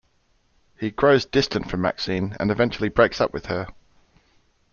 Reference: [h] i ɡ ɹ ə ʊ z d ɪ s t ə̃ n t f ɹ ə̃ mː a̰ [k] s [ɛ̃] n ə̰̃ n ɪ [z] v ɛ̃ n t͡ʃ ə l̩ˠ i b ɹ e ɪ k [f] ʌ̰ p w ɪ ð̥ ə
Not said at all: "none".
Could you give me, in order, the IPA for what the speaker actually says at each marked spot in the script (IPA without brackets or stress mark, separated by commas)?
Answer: h, k, ĩ, none, s